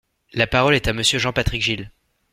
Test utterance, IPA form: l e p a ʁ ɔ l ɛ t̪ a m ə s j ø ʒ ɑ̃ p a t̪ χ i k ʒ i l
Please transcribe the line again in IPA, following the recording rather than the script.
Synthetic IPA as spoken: l a p a ʁ ɔ l ɛ t̪ a m ə s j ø ʒ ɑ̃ p a t̪ χ i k ʒ i l

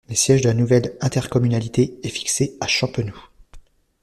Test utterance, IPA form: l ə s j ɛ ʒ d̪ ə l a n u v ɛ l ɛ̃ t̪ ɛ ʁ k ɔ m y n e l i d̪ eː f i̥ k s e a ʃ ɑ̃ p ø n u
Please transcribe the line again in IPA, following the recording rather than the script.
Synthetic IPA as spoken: l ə s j ɛ ʒ d̪ ə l a n u v ɛ l ɛ̃ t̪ ɛ ʁ k ɔ m y n a l i t̪ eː f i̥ k s e a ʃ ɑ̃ p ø n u

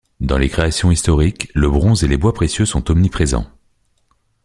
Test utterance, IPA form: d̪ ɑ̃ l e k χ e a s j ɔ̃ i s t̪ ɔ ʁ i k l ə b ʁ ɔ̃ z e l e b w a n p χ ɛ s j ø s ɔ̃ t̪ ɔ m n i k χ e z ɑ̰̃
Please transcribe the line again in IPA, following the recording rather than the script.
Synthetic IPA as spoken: d̪ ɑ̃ l e k χ e a s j ɔ̃ i s t̪ ɔ ʁ i k l ə b ʁ ɔ̃ z e l e b w a p χ e s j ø s ɔ̃ t̪ ɔ m n i p χ e z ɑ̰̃

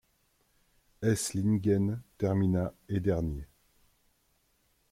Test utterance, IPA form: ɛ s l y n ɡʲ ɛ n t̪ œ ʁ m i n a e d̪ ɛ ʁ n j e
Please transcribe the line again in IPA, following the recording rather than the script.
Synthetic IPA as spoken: ɛ s l i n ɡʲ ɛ n t̪ ɛ ʁ m i n a e d̪ ɛ ʁ n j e

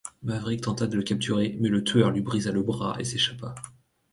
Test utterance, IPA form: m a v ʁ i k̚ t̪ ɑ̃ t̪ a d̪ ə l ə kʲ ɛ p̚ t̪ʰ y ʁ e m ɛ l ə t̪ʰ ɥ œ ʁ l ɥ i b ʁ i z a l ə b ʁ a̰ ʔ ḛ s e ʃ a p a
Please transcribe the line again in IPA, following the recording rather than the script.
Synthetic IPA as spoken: m a v ʁ i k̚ t̪ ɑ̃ t̪ a d̪ ə l ə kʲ a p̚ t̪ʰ y ʁ e m ɛ l ə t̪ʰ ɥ œ ʁ l ɥ i b ʁ i z a l ə b ʁ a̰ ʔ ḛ s e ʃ a p a

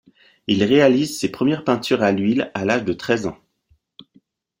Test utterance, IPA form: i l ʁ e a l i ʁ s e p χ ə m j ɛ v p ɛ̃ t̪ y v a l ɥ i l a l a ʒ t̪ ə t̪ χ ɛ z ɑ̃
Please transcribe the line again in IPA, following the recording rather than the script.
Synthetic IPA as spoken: i l ʁ e a l i z s e p χ ə m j ɛ ʁ p ɛ̃ t̪ y ʁ a l ɥ i l a l a ʒ d̪ ə t̪ χ ɛ z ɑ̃

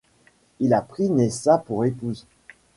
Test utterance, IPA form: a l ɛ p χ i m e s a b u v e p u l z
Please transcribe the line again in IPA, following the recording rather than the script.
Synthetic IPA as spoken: i l a p χ i n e s a p u ʁ e p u z

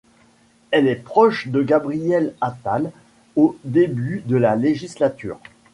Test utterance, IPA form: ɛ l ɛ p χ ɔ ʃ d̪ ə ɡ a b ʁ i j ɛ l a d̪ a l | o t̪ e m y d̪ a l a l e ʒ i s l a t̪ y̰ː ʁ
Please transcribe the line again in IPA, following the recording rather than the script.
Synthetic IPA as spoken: ɛ l ɛ p χ ɔ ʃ d̪ ə ɡ a b ʁ i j ɛ l a t̪ a l | o d̪ e b y d̪ ə l a l e ʒ i s l a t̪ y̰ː ʁ

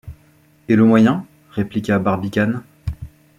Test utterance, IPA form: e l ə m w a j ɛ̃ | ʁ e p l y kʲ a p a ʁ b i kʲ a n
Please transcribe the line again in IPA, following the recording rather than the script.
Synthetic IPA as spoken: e l ə m w a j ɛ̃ | ʁ e p l i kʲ a b a ʁ b i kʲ a n

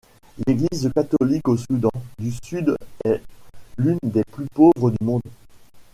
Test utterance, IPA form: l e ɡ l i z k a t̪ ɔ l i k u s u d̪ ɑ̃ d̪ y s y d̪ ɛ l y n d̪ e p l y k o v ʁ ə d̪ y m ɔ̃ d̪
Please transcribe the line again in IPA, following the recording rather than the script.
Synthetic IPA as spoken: l e ɡ l i z k a t̪ ɔ l i k o s u d̪ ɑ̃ d̪ y s y d̪ ɛ l y n d̪ e p l y p o v ʁ ə d̪ y m ɔ̃ d̪

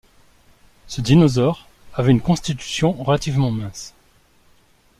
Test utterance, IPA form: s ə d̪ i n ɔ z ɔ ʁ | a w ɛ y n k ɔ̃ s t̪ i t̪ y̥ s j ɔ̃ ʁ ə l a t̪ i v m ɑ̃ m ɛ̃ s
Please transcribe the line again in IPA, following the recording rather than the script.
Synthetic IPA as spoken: s ə d̪ i n ɔ z ɔ ʁ | a v ɛ y n k ɔ̃ s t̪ i t̪ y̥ s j ɔ̃ ʁ ə l a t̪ i v m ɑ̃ m ɛ̃ s

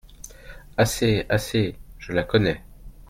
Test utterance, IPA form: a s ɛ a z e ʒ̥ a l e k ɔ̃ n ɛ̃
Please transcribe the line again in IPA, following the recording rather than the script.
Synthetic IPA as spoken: a s e a s e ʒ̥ ə l a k ɔ n ɛ

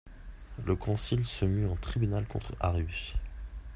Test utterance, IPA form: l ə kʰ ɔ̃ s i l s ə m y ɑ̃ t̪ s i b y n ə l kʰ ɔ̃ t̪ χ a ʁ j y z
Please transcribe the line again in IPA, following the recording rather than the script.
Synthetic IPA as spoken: l ə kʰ ɔ̃ s i l s ə m y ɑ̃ t̪ χ i b y n a l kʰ ɔ̃ t̪ χ a ʁ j y s

